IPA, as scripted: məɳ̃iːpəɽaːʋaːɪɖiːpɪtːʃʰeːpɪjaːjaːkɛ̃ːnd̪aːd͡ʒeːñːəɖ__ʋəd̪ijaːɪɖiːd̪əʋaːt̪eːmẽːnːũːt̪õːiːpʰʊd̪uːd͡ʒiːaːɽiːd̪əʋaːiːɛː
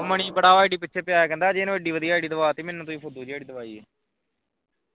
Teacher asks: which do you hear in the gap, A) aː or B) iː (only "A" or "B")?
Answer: B